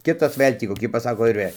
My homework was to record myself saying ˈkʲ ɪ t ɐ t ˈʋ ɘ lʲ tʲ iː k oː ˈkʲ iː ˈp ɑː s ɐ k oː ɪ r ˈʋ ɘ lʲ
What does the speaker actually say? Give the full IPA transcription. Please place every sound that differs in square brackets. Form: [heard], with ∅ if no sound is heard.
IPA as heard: ˈkʲ ɪ t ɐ [s] ˈʋ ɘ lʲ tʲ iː k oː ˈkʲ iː ˈp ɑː s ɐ k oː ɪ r ˈʋ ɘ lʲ